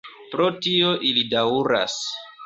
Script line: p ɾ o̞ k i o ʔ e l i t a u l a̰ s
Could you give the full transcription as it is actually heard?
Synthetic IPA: p ɾ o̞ t i o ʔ i l i d a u ɾ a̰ s